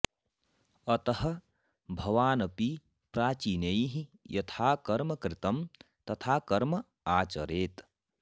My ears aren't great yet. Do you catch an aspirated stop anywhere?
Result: yes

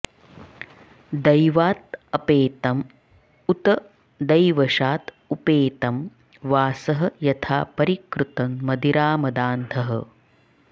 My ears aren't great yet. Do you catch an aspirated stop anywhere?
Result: yes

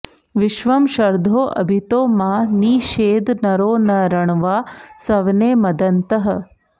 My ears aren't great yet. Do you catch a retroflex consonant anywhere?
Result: yes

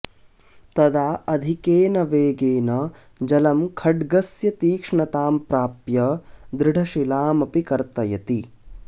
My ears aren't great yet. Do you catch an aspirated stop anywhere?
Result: yes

